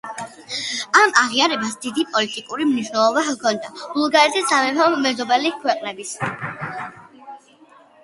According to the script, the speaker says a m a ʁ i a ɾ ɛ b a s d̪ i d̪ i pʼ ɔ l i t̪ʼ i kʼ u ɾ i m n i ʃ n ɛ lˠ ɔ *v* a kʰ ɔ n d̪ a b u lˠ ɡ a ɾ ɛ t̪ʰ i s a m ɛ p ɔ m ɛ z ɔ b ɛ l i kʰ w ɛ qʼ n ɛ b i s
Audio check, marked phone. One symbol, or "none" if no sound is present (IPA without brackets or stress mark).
b